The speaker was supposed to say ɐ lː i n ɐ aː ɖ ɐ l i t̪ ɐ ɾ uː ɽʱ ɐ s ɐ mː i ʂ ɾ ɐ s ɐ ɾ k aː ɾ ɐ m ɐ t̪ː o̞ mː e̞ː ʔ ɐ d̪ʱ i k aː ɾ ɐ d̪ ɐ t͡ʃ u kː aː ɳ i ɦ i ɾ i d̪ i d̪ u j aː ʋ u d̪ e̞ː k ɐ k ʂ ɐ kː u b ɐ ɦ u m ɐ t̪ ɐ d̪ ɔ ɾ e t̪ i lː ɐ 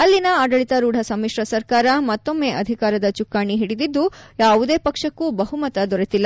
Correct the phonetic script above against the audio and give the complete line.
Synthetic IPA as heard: ɐ lː i n ɐ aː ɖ ɐ ɭ i t̪ ɐ ɾ uː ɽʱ ɐ s ɐ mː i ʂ ɾ ɐ s ɐ ɾ k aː ɾ ɐ m ɐ t̪ː o̞ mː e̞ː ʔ ɐ d̪ʱ i k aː ɾ ɐ d̪ ɐ t͡ʃ u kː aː ɳ i ɦ i ɽ i d̪ i d̪ː u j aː ʋ u d̪ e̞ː p ɐ k ʂ ɐ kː u b ɐ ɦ u m ɐ t̪ ɐ d̪ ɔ ɾ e t̪ i lː ɐ